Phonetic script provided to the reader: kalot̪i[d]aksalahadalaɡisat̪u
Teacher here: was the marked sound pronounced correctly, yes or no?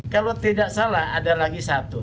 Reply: yes